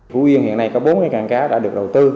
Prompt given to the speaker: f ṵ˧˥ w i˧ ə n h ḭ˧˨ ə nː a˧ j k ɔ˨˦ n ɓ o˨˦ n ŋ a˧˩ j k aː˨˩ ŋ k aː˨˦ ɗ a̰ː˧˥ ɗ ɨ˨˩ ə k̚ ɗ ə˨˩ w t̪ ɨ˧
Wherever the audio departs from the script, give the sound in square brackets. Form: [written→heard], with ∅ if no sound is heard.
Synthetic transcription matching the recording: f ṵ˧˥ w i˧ ə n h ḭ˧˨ ə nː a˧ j k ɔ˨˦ [n→∅] ɓ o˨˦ n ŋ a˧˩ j k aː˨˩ ŋ k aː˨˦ ɗ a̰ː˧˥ ɗ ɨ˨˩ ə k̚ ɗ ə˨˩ w t̪ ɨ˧

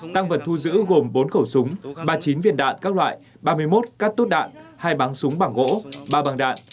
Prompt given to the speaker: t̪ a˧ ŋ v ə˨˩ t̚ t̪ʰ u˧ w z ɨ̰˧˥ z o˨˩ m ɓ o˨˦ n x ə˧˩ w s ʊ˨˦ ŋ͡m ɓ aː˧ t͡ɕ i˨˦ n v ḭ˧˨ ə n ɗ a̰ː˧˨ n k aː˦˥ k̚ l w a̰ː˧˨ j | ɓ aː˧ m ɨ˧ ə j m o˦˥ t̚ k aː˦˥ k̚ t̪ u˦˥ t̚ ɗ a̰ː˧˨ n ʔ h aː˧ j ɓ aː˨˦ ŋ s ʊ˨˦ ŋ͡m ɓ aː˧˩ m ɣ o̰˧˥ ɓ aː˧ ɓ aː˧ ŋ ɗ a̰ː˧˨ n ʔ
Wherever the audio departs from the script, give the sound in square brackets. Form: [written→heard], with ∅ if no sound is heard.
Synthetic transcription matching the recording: t̪ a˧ ŋ v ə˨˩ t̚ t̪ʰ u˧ [w→∅] z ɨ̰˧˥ [z→ɣ] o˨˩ m ɓ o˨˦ n x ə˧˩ w s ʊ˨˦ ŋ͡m ɓ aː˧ t͡ɕ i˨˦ n v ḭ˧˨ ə n ɗ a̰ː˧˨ n k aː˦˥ k̚ l w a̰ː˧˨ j | ɓ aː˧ m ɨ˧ ə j m o˦˥ t̚ k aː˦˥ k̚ t̪ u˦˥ t̚ ɗ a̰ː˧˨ n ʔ h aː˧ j ɓ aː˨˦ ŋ s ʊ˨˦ ŋ͡m ɓ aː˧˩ [m→ŋ] ɣ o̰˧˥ ɓ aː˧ ɓ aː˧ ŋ ɗ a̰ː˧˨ n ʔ

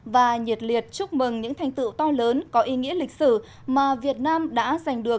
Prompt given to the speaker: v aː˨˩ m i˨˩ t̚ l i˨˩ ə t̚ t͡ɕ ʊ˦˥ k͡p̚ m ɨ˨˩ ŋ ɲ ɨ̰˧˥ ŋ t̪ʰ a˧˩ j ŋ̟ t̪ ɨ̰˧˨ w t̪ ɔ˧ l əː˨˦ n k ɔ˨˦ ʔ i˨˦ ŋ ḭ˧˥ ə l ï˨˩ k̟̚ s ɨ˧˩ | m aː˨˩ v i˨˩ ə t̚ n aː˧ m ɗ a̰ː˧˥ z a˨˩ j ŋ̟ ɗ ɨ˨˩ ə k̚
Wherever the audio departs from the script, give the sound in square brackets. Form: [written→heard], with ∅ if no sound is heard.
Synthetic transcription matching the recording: v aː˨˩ [m→ɲ] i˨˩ t̚ l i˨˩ ə t̚ t͡ɕ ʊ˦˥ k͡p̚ m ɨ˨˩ ŋ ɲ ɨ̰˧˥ ŋ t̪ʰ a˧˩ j ŋ̟ t̪ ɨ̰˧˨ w t̪ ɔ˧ l əː˨˦ n k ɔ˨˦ ʔ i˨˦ ŋ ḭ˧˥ ə l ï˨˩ k̟̚ s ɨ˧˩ | m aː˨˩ v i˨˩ ə t̚ n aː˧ m ɗ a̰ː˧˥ z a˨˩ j ŋ̟ ɗ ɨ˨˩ ə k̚

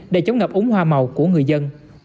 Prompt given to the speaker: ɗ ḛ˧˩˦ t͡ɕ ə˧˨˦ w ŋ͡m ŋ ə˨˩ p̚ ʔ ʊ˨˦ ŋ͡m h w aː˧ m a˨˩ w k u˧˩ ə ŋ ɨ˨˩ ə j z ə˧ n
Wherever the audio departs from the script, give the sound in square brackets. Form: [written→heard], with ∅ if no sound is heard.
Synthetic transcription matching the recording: ɗ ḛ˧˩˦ t͡ɕ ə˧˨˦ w ŋ͡m ŋ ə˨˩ p̚ ʔ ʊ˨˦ ŋ͡m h w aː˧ m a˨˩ w k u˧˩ ə ŋ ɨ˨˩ ə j z ə˧ n

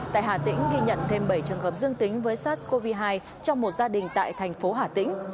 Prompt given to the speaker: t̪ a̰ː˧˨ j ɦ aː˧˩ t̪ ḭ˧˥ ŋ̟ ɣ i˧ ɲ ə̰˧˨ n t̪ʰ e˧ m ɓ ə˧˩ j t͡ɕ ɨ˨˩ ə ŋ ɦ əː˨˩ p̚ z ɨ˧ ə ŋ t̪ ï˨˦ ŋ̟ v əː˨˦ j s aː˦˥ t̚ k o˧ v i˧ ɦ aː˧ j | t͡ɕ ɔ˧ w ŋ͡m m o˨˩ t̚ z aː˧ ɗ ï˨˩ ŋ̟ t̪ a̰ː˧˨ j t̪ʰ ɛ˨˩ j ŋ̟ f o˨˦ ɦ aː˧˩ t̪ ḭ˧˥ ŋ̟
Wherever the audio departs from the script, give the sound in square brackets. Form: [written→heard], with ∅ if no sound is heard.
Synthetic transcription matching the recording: t̪ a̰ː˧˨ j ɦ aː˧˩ t̪ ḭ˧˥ ŋ̟ ɣ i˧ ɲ ə̰˧˨ n t̪ʰ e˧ m ɓ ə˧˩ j t͡ɕ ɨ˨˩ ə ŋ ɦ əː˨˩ p̚ z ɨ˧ ə ŋ t̪ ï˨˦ ŋ̟ v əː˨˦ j s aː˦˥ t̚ k o˧ v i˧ ɦ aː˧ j | t͡ɕ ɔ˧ w ŋ͡m m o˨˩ t̚ z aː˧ ɗ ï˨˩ ŋ̟ t̪ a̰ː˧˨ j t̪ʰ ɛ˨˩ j ŋ̟ f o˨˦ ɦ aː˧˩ t̪ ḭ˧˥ ŋ̟

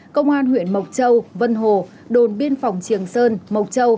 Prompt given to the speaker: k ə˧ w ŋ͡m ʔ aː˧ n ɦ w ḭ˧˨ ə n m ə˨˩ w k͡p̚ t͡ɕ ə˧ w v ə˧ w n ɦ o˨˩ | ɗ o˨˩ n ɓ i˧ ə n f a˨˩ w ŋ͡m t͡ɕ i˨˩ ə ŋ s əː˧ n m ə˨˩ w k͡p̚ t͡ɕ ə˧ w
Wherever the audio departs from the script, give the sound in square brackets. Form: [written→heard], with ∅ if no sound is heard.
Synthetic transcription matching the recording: k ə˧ w ŋ͡m ʔ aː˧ n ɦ w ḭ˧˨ ə n m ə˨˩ w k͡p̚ t͡ɕ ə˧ w v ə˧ [w→∅] n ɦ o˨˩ | ɗ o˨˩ n ɓ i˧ ə n f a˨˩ w ŋ͡m t͡ɕ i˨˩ ə ŋ s əː˧ n m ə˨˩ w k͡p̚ t͡ɕ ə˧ w

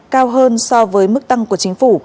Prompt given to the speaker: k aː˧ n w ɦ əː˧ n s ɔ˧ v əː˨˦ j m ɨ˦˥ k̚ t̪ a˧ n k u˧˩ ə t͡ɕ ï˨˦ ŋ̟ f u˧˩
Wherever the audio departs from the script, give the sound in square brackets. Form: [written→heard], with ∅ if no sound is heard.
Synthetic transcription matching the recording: k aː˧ [n→∅] w ɦ əː˧ n s ɔ˧ v əː˨˦ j m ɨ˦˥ k̚ t̪ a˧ [n→ŋ] k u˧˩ ə t͡ɕ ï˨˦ ŋ̟ f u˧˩

